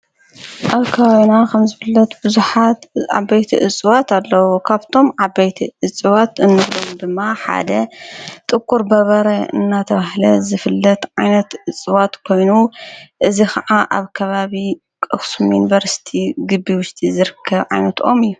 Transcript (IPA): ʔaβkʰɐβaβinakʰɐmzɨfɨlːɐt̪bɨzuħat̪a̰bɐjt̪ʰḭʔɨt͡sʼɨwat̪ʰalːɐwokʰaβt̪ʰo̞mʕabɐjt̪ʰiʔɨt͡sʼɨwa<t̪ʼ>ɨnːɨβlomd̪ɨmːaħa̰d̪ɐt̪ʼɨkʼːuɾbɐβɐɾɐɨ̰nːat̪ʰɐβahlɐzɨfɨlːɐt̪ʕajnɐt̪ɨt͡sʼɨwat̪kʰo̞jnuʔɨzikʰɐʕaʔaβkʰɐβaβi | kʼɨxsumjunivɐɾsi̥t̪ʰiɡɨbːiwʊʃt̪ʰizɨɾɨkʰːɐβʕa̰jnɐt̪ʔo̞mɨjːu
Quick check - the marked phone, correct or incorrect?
incorrect